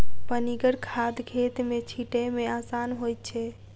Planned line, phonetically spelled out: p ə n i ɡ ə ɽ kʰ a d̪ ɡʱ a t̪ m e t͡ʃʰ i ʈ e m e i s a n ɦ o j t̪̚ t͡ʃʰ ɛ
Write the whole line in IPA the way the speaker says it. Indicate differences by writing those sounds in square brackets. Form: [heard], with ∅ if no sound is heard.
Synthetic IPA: p ə n i ɡ ə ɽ kʰ a d̪ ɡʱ [e] t̪ m e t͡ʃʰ i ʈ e m e [a] s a n ɦ o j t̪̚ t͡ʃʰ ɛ